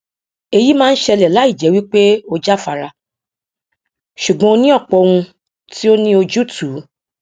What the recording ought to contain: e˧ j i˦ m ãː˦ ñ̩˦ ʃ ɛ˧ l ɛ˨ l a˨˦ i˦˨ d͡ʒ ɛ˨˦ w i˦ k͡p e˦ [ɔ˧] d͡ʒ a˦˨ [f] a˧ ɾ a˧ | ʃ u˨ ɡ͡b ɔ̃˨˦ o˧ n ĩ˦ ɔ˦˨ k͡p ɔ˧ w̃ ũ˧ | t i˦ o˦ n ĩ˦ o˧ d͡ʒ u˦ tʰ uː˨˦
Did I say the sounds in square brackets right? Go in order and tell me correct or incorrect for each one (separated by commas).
incorrect, correct